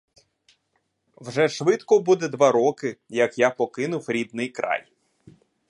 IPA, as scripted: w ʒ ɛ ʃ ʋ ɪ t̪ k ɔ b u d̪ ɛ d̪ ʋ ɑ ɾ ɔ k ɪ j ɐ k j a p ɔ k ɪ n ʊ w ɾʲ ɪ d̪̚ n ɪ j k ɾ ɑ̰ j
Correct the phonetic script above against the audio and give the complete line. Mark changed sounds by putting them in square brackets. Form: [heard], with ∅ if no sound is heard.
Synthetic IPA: w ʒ ɛ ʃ ʋ ɪ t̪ k ɔ b u d̪ ɛ d̪ ʋ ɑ ɾ ɔ k ɪ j ɐ k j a p ɔ k ɪ n ʊ w ɾʲ [i] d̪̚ n ɪ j k ɾ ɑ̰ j